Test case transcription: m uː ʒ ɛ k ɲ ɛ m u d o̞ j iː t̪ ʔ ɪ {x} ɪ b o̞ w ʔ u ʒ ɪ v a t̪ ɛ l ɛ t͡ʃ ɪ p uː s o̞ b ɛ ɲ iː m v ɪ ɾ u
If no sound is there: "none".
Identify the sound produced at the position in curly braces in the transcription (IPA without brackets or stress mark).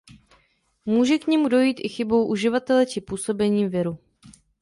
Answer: x